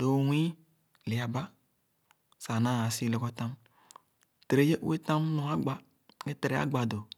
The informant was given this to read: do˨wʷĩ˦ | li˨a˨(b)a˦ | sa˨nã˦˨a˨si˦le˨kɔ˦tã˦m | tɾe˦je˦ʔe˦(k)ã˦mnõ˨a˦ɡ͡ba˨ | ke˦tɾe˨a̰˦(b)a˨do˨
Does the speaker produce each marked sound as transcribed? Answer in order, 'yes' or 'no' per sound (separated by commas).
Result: yes, no, no